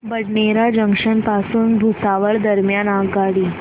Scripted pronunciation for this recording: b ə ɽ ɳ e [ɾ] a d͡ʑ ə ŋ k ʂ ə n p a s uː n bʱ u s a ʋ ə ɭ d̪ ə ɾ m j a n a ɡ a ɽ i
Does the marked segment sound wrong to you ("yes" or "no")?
no